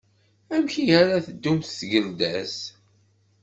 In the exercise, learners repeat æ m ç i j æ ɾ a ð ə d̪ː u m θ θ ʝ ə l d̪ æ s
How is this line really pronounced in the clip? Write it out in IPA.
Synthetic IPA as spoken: æ m ç i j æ ɾ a θ ə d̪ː u m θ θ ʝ ə l d̪ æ s